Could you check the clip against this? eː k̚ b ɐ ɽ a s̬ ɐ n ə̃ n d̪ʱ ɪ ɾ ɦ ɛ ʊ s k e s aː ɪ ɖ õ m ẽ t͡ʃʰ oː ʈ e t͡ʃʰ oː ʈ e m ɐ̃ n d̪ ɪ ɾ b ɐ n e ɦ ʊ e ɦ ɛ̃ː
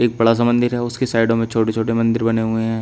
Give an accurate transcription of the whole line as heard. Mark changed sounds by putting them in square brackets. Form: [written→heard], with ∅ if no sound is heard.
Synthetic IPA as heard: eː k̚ b ɐ ɽ a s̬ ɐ [n→m] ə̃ n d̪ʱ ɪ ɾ ɦ ɛ ʊ s k e s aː ɪ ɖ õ m ẽ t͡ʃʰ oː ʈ e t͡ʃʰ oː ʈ e m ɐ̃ n d̪ ɪ ɾ b ɐ n e ɦ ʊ e ɦ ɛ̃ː